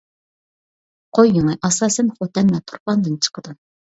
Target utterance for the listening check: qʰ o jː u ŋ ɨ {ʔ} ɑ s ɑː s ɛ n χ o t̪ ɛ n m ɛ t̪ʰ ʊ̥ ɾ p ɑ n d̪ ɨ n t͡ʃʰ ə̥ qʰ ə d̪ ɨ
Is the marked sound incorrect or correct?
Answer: correct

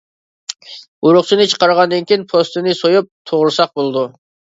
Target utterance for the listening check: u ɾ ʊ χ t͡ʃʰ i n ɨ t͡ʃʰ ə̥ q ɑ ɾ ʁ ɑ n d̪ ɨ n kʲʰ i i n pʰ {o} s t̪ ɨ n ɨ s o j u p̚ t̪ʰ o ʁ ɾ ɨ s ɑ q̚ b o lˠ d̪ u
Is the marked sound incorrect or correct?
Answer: correct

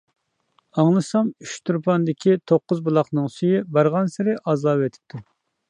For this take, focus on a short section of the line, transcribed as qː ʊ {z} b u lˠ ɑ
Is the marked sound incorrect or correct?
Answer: correct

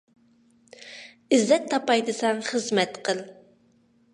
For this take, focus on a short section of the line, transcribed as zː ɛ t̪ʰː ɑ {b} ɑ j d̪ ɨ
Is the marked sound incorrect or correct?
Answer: incorrect: p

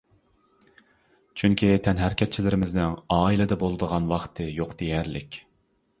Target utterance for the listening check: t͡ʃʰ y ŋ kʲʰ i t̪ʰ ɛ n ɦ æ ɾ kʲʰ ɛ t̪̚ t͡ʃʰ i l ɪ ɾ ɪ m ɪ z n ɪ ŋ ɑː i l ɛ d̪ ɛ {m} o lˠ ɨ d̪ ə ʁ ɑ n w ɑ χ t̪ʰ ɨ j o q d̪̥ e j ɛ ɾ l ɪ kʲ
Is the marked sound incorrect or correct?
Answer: incorrect: b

